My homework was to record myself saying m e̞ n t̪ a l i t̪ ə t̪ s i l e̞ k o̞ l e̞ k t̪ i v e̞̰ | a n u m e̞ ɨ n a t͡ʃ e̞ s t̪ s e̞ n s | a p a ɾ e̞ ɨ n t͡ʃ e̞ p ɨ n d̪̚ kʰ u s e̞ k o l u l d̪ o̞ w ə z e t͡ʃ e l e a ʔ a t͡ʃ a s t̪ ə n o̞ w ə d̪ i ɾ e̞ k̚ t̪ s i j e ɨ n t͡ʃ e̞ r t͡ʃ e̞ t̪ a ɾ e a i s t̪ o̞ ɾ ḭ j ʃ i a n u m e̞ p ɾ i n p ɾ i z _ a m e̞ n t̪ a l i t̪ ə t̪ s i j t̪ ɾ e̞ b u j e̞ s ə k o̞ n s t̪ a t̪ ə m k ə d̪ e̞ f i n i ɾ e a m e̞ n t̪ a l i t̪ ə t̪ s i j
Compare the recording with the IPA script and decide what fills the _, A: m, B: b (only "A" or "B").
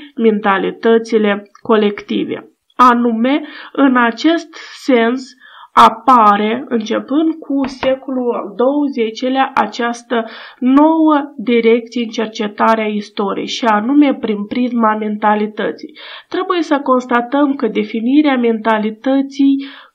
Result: A